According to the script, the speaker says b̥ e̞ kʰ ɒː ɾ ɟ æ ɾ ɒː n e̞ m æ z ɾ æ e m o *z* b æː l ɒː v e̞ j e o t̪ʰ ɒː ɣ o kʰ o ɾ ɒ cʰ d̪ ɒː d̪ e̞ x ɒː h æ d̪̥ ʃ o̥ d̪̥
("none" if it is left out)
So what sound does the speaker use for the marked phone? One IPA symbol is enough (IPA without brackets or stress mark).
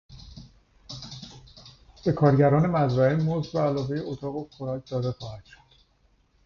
z